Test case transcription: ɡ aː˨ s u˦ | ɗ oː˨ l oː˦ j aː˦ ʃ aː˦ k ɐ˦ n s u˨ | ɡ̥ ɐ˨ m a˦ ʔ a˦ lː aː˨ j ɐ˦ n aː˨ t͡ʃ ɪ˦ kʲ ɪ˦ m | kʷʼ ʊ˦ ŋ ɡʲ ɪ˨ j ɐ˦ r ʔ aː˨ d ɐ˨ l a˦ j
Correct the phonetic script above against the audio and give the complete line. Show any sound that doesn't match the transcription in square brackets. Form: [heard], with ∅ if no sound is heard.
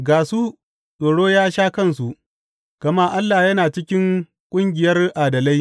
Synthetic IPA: ɡ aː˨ s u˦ | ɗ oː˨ [ɽ] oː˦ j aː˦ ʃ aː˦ k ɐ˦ n s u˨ | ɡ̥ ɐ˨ m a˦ ʔ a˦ lː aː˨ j ɐ˦ n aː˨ t͡ʃ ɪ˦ kʲ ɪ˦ [ŋ] | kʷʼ ʊ˦ ŋ ɡʲ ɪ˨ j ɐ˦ r ʔ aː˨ d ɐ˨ l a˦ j